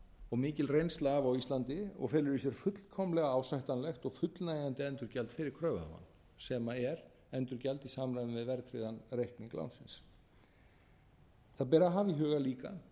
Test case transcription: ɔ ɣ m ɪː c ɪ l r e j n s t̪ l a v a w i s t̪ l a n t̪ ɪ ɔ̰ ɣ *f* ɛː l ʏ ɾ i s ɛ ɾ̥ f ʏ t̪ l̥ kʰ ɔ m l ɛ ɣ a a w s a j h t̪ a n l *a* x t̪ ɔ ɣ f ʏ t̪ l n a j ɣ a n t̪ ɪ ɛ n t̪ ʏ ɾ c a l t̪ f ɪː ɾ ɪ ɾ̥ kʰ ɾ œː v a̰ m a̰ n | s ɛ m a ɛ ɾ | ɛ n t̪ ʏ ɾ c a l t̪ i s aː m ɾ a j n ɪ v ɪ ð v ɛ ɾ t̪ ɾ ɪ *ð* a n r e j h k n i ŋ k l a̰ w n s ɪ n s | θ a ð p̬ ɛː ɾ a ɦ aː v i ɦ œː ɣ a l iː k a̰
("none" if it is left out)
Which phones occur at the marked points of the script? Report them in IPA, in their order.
f, ɛ, ð

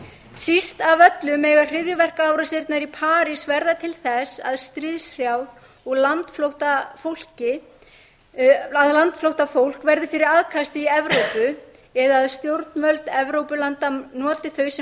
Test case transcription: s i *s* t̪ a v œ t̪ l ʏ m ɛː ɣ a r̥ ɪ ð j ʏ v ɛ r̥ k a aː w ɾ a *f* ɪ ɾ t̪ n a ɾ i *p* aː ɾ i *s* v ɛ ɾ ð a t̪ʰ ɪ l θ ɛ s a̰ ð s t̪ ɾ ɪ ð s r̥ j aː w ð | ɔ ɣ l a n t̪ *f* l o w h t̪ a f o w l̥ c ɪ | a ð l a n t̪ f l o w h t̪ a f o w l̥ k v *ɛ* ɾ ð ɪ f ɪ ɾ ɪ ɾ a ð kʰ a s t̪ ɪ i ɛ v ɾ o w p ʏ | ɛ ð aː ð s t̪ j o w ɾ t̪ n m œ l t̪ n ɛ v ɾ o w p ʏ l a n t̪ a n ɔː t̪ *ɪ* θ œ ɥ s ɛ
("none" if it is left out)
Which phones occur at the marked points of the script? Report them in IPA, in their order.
s, s, pʰ, s, f, ɛ, ɪ

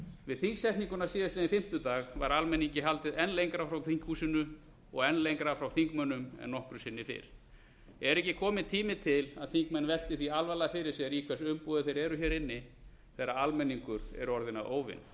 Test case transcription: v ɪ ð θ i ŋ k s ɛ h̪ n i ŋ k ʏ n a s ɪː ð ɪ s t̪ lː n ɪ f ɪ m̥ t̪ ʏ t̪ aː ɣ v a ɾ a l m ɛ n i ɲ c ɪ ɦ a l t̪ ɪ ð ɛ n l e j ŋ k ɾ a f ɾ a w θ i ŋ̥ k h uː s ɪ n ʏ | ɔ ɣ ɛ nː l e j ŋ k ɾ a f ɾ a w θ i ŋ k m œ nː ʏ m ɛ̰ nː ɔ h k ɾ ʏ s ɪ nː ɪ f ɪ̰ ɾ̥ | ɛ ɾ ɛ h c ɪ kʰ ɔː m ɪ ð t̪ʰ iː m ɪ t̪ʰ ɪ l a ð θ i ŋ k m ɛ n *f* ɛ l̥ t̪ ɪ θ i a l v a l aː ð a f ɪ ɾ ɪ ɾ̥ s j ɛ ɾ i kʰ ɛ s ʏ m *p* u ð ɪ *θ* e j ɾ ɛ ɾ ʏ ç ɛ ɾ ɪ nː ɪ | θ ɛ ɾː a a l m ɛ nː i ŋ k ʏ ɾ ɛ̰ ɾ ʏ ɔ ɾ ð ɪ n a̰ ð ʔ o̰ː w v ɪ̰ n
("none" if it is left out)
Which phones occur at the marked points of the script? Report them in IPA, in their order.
v, p, θ

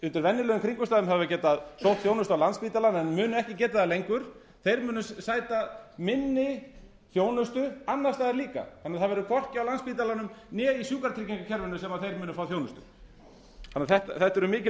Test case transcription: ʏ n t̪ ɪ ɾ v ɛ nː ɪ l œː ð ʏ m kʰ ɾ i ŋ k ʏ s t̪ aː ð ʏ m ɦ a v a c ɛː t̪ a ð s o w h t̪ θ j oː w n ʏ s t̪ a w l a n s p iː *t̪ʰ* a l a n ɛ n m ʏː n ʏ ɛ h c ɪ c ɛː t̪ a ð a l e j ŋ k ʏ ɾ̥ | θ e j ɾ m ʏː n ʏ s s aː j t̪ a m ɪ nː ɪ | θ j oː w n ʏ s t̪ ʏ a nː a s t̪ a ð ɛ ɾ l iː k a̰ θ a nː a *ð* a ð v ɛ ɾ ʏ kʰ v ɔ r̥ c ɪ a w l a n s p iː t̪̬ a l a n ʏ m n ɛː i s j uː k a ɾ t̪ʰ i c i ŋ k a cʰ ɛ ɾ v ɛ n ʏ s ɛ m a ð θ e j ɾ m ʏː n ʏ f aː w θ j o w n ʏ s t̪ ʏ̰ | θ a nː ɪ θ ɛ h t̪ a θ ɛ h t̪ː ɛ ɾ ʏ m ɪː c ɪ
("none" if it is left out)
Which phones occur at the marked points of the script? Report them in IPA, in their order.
t̪, θ

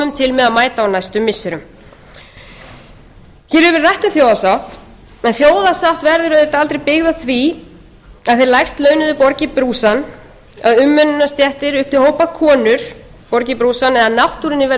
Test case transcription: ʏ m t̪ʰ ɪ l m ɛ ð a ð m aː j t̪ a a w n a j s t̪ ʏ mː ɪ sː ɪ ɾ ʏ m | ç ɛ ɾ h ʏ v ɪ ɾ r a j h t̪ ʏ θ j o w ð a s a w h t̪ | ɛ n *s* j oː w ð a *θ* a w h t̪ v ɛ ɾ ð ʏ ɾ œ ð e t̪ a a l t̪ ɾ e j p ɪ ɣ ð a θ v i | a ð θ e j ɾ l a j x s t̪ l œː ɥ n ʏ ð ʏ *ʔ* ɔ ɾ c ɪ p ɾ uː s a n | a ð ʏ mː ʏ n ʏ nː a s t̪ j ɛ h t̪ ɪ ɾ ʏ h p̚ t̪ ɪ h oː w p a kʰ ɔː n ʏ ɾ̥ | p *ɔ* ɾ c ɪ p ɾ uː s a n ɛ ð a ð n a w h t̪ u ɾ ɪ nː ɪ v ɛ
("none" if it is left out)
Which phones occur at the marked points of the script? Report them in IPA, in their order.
θ, s, p, ɔ

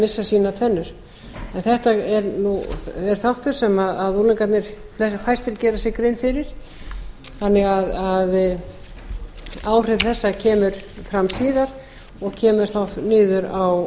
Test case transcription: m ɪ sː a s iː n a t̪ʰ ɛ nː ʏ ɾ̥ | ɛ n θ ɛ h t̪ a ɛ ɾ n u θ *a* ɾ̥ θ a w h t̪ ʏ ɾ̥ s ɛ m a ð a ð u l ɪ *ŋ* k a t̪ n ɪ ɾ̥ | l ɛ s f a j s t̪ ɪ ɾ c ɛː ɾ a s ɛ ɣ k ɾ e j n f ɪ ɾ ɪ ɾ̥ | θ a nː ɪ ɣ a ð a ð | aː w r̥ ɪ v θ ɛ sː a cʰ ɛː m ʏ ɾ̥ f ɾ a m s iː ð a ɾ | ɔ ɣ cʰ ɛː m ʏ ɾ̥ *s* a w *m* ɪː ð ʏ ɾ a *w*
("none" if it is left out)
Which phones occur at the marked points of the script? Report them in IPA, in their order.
ɛ, ŋ, θ, n, w

